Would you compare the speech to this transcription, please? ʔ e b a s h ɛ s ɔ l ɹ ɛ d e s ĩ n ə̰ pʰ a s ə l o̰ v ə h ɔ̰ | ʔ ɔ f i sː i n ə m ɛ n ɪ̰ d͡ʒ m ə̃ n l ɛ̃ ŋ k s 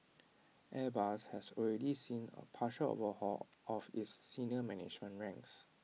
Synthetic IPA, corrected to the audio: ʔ ɛ b a s h ɛ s ɔ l ɹ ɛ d i s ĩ n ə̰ pʰ a ʃ ə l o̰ v ə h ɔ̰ | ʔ ɔ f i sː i n ə m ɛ n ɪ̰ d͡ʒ m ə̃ n ɹ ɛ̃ ŋ k s